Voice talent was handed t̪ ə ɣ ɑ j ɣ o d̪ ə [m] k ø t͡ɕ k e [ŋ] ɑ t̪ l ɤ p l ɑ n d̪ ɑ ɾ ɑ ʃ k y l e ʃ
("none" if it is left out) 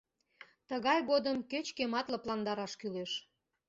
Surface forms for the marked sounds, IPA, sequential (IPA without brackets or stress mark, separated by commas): m, m